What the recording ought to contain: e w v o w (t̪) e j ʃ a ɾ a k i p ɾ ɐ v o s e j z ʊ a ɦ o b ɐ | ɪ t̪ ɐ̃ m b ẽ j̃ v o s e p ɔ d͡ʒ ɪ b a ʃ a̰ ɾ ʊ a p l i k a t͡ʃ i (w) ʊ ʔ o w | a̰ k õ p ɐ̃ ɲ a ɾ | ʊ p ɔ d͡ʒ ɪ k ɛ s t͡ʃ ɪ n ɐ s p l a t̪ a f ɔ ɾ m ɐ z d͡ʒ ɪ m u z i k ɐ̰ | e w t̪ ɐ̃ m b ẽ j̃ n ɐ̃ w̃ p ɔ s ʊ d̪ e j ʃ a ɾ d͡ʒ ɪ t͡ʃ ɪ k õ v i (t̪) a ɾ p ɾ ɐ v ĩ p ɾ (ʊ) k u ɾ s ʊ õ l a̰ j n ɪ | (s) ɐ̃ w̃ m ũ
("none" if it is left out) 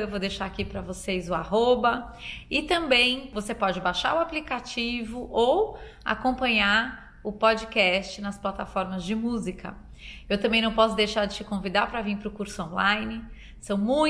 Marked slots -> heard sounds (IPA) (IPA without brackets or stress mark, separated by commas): d̪, v, d̪, ʊ, s